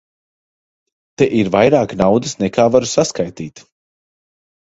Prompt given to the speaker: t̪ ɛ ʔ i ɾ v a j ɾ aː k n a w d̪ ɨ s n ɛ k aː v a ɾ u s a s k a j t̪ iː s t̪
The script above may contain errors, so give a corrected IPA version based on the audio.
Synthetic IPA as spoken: t̪ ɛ ʔ i ɾ v a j ɾ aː k n a w d̪ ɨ s n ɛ k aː v a ɾ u s a s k a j t̪ iː t̪